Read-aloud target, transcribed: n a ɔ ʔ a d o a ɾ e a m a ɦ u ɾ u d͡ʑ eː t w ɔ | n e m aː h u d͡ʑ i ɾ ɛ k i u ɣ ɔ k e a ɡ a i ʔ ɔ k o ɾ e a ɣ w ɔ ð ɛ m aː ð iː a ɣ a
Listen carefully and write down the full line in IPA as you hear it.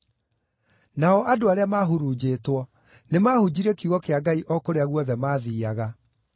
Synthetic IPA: n a ɔ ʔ a d o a ɾ e a m a ɦ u ɾ u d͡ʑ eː t w ɔ | n e m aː h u d͡ʑ i ɾ ɛ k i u ɣ ɔ k e a ɡ a i ʔ ɔ k o ɾ e a ɣ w ɔ ð ɛ m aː ð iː a ɣ a